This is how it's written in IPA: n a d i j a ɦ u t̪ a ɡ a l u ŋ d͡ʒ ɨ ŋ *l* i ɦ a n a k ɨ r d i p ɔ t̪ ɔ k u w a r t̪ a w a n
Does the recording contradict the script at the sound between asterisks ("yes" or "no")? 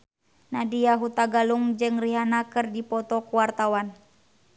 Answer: yes